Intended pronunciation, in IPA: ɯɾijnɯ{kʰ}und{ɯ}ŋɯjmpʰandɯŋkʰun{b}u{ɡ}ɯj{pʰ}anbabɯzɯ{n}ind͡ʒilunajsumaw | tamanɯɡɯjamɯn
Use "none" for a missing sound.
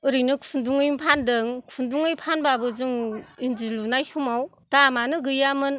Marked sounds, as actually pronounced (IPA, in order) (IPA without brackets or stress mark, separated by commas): kʰ, u, d, ŋ, pʰ, ŋ